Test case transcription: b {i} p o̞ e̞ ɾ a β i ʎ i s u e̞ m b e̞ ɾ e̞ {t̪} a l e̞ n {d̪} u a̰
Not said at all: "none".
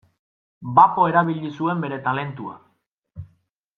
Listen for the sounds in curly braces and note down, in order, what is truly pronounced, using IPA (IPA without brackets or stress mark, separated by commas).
a, t̪, t̪